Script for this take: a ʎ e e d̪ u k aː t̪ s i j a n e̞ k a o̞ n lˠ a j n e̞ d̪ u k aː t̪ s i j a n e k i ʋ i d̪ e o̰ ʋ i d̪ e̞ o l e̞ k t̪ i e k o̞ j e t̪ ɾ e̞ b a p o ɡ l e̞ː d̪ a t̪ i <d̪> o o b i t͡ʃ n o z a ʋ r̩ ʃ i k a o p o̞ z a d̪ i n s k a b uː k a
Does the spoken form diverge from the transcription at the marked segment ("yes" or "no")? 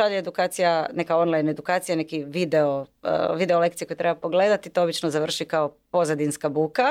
yes